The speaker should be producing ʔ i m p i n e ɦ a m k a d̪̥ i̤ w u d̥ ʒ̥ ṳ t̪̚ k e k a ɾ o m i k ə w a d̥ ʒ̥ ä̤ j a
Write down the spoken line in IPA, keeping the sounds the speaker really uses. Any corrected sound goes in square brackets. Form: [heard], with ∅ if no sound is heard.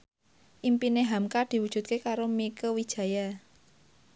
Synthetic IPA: ʔ i m p i n e ɦ a m k a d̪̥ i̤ w u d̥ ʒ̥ ṳ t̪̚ k e k a ɾ o m i k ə w [i] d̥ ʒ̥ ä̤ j a